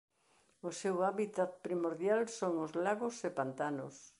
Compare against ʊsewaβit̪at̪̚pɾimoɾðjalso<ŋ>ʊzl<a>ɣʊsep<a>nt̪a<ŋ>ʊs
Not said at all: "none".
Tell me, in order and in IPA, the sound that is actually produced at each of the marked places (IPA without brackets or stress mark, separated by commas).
ŋ, a, a, n